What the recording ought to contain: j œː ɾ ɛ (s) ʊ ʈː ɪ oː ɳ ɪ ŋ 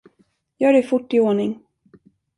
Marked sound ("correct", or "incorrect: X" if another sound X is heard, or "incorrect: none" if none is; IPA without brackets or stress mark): incorrect: f